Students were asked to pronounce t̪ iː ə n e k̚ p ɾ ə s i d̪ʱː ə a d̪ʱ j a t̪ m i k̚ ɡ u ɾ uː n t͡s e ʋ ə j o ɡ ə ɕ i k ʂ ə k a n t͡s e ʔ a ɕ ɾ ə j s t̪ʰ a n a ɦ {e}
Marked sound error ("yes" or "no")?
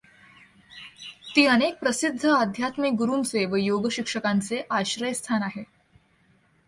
no